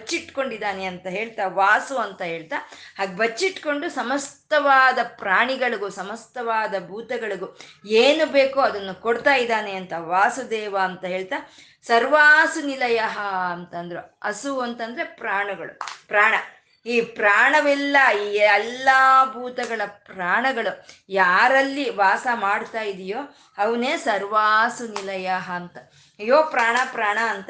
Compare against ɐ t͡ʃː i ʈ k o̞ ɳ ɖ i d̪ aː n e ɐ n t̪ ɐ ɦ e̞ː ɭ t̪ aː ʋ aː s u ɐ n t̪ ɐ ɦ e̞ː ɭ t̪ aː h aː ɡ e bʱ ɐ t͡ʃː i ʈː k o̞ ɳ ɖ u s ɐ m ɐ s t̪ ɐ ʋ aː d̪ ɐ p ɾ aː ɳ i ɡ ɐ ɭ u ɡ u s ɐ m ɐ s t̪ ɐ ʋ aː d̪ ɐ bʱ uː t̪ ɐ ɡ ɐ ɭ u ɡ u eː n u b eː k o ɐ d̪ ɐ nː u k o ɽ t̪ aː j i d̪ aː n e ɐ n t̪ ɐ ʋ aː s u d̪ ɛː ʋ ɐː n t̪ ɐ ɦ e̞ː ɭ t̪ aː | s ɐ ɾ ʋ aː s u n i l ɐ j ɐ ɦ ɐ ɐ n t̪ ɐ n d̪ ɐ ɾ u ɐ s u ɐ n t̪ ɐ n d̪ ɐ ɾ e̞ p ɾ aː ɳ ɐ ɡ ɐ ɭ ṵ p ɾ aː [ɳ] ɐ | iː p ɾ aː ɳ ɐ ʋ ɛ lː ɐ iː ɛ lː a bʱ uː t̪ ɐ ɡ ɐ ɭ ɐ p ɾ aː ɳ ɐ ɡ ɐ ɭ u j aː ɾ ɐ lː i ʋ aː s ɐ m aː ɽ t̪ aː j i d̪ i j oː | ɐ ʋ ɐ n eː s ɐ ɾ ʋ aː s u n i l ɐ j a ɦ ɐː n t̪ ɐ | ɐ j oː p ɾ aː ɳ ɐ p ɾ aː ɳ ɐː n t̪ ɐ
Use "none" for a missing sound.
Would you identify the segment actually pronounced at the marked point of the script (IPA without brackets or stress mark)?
ɳ